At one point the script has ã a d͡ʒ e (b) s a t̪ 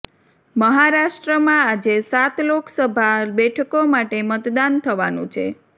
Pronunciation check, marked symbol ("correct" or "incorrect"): incorrect